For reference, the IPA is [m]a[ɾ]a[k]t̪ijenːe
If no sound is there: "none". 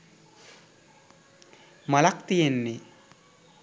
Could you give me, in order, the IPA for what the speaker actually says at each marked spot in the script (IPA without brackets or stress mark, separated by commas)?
m, l, k